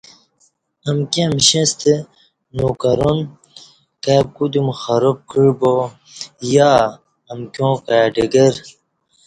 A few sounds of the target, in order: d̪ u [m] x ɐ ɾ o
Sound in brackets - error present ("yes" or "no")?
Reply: no